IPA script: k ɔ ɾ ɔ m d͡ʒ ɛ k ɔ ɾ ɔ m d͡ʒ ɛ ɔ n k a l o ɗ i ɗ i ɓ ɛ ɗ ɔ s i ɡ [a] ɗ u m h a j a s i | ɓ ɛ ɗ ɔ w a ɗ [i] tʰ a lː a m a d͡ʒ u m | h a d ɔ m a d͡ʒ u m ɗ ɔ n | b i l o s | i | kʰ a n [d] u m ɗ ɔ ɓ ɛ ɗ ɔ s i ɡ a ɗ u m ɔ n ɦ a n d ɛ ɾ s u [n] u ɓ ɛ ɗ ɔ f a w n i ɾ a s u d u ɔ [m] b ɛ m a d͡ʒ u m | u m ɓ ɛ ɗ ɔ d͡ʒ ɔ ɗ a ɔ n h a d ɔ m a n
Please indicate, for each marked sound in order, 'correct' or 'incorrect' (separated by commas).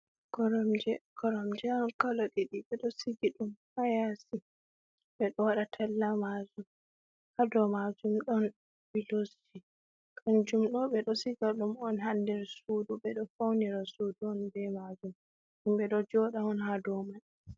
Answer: incorrect, incorrect, incorrect, incorrect, incorrect